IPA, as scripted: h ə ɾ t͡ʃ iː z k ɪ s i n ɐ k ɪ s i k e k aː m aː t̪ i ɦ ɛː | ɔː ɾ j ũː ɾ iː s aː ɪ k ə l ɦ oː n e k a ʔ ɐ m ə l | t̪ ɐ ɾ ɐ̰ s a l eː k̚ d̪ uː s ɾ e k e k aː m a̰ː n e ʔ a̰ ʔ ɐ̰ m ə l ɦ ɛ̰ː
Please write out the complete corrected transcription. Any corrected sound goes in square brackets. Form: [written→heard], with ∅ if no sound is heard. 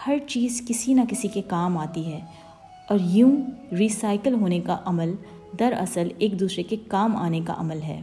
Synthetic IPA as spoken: h [ə→ɐ] ɾ t͡ʃ iː z k ɪ s i n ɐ k ɪ s i k e k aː m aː t̪ i ɦ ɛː | ɔː ɾ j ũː ɾ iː s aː ɪ k ə l ɦ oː n e k a ʔ ɐ m ə l | [t̪→d̪] ɐ ɾ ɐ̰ s [a→ə] l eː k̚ d̪ uː s ɾ e k e k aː m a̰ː n e [ʔ→k] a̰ ʔ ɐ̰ m ə l ɦ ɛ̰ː